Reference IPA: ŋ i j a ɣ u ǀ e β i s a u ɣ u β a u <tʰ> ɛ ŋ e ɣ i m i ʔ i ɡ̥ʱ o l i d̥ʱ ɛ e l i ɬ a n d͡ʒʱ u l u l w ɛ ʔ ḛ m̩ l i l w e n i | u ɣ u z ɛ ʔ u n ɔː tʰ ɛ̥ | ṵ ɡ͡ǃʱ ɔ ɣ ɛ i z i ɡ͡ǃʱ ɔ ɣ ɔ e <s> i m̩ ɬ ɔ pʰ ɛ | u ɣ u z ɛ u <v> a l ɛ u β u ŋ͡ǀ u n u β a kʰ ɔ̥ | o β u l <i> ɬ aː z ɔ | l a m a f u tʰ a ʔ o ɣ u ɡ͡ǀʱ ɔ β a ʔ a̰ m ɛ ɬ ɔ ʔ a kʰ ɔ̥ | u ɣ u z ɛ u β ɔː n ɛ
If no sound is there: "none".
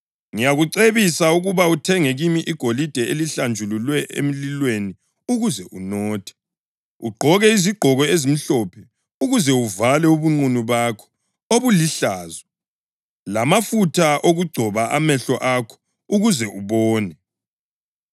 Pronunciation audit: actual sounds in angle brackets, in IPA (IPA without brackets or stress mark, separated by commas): tʰ, z, v, i